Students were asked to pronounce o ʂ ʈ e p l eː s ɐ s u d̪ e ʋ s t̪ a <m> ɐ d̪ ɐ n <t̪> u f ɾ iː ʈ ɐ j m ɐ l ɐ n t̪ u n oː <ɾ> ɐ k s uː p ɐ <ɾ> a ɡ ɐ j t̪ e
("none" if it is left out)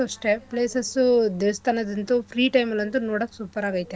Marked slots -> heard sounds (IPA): n, t̪, ɽ, ɾ

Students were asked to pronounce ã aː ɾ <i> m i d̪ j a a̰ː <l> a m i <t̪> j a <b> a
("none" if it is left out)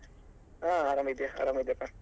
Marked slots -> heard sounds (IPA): a, ɾ, d̪, p

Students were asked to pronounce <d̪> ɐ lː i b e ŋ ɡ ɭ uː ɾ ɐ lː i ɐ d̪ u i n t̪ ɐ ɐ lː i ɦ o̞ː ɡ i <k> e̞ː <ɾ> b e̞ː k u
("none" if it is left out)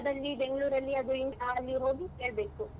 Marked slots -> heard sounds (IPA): d̪, k, ɭ

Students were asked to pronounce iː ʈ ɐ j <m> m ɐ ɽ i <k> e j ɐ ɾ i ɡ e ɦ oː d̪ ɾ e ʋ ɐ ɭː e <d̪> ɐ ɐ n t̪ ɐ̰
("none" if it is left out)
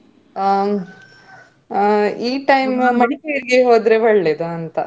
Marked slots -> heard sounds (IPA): m, k, d̪

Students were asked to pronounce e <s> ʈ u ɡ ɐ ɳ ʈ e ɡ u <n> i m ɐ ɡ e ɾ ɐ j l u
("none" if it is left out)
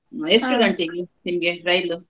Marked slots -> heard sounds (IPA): s, n

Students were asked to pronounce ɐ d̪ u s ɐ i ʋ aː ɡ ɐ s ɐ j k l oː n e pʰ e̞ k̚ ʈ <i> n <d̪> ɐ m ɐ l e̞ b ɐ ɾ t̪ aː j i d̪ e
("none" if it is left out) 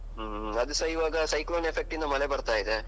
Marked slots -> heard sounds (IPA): i, d̪

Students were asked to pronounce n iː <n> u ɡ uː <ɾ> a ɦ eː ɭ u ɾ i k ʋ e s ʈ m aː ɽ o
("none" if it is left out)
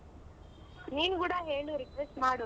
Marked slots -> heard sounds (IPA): n, ɽ

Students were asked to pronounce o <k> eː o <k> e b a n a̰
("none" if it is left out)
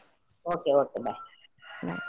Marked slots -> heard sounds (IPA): k, k

